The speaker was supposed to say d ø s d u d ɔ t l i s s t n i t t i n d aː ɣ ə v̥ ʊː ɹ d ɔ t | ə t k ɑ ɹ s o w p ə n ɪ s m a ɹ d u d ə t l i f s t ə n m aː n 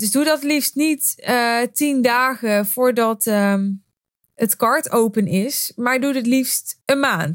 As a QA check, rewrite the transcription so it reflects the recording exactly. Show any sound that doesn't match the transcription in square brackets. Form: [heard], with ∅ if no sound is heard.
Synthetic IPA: d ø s d u d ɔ t l i [f] s t n i t t i n d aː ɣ ə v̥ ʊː ɹ d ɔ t | ə t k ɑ ɹ [t] o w p ə n ɪ s m a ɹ d u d ə t l i f s t ə n m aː n